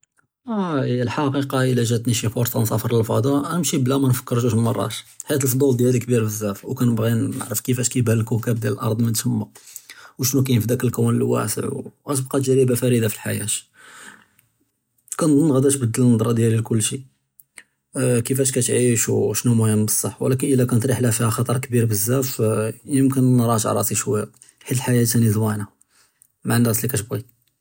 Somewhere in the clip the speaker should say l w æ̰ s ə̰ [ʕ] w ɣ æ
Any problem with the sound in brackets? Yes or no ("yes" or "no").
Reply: no